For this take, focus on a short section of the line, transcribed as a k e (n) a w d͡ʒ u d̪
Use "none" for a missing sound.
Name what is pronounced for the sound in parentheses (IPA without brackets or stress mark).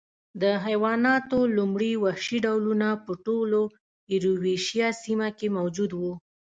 m